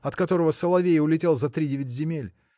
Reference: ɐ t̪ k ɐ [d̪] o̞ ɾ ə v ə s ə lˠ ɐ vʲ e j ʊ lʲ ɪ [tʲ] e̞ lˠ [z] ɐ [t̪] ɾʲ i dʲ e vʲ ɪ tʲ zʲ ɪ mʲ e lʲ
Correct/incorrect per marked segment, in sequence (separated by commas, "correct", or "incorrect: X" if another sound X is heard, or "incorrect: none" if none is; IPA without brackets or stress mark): incorrect: t̪, correct, correct, correct